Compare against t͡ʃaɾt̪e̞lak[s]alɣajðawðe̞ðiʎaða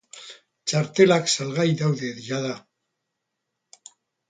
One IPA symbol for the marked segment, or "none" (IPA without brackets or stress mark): s